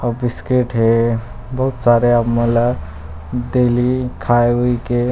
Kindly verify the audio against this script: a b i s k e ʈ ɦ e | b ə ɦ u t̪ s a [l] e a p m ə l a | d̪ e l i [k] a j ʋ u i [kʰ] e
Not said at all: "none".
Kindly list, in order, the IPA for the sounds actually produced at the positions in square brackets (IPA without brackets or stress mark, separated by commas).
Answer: ɾ, kʰ, k